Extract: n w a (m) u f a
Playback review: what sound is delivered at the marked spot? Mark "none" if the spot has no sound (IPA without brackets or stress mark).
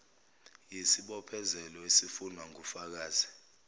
ŋ